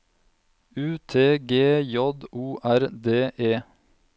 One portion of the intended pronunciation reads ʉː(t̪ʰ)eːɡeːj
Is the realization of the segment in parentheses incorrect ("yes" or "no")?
no